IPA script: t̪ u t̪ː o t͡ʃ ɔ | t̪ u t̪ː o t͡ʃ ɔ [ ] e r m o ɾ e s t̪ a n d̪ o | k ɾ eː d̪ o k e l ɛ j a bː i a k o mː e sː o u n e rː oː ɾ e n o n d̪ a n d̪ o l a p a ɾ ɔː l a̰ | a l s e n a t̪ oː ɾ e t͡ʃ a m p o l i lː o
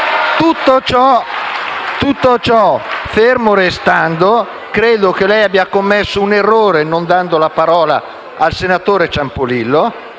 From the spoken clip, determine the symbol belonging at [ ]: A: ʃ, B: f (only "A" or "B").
B